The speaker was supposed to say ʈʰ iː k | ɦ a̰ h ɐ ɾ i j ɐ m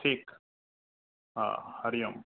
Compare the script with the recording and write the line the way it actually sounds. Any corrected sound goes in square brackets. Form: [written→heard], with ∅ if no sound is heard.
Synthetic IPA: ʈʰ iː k | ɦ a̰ h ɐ ɾ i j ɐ m